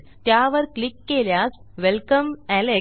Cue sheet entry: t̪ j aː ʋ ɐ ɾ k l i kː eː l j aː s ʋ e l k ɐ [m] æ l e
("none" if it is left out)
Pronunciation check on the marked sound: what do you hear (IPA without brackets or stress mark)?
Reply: m